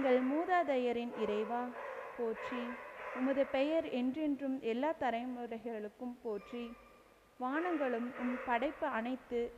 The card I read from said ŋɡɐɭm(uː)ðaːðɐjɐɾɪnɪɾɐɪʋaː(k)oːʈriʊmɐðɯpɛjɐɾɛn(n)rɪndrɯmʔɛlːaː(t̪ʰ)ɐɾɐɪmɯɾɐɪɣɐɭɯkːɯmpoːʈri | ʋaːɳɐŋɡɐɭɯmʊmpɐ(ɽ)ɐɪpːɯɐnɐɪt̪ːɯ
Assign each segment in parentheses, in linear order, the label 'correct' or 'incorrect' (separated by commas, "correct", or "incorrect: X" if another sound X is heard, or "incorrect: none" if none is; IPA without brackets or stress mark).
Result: correct, incorrect: p, incorrect: d, incorrect: t̪, correct